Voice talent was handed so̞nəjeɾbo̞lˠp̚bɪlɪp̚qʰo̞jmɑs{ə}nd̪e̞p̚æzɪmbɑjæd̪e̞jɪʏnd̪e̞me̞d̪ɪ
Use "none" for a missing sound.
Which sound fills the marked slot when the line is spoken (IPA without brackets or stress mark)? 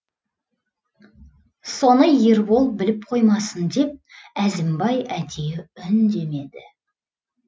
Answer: ə